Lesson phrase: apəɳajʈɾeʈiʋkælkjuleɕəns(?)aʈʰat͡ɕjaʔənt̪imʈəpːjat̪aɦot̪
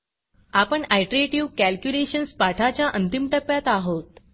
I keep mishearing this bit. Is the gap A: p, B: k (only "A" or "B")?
A